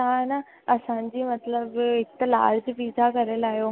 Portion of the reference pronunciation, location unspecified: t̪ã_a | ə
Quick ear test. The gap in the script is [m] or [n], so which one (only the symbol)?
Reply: n